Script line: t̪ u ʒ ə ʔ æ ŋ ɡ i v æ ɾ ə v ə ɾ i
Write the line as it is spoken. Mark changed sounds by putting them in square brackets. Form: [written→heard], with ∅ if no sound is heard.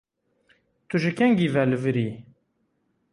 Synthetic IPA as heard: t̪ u ʒ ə [ʔ→k] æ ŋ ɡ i v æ [ɾ→l] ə v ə ɾ i